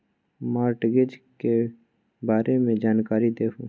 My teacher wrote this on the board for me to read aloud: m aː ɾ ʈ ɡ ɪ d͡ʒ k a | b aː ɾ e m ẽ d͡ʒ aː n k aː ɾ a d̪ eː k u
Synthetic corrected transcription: m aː ɾ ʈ ɡ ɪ d͡ʒ k e | b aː ɾ e m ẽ d͡ʒ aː n k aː ɾ i d̪ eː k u